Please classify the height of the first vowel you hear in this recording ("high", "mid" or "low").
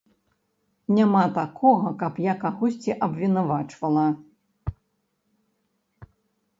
low